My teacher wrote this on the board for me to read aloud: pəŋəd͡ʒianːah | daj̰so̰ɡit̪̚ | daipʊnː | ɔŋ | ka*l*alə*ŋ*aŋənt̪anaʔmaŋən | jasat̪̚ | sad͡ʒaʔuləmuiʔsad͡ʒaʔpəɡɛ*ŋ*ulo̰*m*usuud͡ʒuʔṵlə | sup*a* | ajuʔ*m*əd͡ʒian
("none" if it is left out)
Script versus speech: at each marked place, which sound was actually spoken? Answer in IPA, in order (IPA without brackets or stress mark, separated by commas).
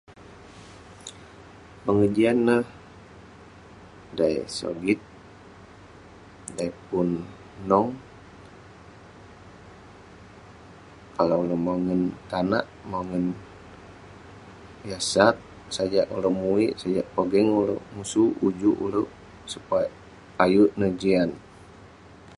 l, m, ŋ, m, a, n